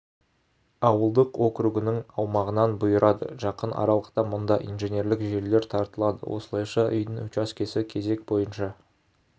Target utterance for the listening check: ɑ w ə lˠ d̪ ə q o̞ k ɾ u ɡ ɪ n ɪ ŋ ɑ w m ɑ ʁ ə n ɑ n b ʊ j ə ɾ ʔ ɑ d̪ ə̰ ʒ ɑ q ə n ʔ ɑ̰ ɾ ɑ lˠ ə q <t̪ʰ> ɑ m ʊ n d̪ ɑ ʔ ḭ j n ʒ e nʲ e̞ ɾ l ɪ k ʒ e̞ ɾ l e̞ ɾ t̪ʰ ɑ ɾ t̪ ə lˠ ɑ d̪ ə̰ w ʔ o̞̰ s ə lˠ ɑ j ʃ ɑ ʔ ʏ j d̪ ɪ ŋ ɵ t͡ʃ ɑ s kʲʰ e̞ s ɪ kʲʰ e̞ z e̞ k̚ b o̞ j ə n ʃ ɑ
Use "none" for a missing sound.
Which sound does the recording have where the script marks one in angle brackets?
t̪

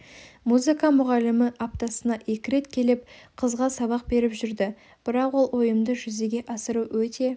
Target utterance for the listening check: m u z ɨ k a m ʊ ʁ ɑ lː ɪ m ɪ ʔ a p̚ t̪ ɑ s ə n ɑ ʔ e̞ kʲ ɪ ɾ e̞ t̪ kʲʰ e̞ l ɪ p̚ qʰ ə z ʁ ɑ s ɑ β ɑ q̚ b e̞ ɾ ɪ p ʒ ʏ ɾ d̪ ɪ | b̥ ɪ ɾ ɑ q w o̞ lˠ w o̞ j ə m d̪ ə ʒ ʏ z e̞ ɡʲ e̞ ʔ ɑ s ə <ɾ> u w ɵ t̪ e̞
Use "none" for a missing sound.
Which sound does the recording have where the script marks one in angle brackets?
ɾ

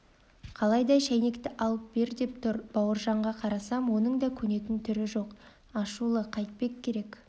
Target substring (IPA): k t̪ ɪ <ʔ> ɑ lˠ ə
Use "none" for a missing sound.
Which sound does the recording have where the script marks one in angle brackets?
ʔ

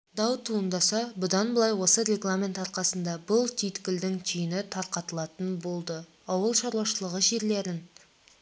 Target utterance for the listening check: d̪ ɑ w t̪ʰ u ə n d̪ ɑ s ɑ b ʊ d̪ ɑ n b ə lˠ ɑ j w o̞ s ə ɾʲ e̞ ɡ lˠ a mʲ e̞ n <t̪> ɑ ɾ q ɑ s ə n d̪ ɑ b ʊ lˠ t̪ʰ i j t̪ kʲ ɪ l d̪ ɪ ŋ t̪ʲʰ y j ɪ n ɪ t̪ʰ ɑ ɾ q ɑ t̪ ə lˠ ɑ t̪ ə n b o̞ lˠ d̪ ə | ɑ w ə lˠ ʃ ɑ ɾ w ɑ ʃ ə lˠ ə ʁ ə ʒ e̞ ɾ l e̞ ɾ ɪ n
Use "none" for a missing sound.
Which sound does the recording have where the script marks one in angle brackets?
t̪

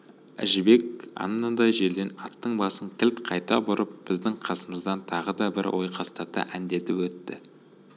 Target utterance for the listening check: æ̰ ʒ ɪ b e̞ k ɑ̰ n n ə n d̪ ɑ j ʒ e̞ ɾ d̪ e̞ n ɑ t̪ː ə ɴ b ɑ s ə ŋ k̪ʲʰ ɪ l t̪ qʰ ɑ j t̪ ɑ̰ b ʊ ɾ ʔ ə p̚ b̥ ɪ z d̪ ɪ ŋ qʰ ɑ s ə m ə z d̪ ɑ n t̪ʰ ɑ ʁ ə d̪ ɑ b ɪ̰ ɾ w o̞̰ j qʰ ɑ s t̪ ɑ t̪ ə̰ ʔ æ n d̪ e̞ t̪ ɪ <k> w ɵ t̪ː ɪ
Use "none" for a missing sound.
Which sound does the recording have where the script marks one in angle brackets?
p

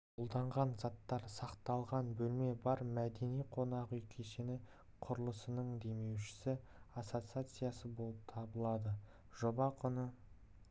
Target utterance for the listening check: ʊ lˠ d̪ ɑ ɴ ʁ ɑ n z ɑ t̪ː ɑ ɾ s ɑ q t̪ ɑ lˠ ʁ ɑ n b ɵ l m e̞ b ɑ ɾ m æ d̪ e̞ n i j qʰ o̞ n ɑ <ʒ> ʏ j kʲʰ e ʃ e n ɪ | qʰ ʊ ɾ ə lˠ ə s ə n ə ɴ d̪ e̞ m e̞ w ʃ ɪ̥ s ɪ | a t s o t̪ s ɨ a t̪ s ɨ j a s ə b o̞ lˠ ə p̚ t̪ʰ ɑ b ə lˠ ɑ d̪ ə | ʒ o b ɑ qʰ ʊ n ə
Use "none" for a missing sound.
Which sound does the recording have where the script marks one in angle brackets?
ʁ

